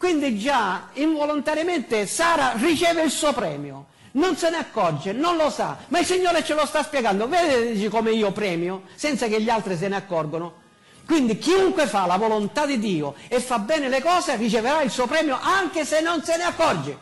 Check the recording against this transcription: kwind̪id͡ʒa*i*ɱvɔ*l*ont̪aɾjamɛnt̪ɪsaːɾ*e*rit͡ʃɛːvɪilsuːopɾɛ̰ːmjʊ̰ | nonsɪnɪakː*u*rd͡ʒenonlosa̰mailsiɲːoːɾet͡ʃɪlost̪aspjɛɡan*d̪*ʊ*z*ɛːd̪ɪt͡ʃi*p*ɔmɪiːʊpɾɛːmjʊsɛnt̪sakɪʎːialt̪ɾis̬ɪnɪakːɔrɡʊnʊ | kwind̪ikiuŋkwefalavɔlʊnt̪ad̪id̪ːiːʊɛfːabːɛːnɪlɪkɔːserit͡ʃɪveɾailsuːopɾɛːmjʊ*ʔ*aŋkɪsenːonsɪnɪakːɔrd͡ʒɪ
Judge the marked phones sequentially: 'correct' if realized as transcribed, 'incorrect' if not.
correct, correct, incorrect, incorrect, correct, incorrect, incorrect, correct

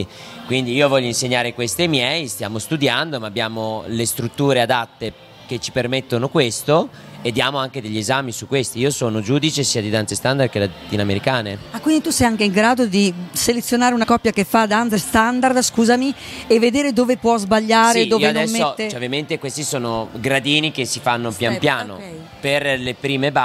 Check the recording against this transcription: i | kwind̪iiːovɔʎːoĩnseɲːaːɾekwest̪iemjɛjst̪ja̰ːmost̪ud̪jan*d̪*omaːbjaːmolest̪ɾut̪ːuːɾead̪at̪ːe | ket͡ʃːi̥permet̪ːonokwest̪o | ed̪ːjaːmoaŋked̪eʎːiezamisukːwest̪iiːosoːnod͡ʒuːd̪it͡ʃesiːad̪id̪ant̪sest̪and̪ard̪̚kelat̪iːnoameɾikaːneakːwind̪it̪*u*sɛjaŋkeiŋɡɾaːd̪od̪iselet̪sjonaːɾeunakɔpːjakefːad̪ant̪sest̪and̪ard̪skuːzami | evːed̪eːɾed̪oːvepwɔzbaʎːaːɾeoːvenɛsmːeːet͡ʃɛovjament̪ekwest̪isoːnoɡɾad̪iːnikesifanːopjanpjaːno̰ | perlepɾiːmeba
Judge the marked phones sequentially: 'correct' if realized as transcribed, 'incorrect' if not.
correct, correct

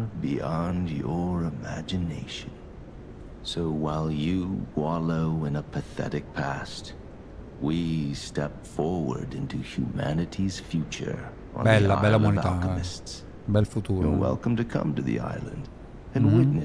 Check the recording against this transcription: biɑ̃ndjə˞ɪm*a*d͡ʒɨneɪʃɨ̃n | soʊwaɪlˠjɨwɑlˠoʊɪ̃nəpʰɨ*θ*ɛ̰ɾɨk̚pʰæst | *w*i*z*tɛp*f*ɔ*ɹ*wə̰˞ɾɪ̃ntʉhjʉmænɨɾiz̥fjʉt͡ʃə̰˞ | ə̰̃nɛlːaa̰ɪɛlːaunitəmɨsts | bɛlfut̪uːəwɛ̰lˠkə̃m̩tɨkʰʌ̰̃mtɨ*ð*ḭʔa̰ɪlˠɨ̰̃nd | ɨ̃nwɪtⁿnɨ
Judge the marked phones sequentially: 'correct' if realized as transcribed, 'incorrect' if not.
incorrect, correct, correct, incorrect, correct, correct, correct

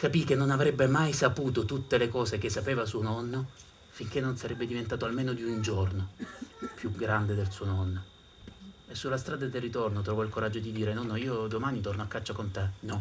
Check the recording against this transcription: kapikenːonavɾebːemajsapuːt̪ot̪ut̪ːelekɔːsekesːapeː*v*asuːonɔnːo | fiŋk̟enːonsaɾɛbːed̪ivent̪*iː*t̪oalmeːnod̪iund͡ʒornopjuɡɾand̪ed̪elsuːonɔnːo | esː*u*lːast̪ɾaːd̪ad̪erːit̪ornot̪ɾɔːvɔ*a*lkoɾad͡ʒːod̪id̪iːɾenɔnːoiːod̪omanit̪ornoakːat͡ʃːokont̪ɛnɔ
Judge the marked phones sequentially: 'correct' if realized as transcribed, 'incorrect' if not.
correct, incorrect, correct, incorrect

